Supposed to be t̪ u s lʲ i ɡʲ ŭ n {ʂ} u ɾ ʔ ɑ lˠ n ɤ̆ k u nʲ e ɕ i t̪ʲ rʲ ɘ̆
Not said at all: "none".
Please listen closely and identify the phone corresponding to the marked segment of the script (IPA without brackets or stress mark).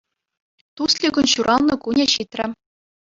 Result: ɕ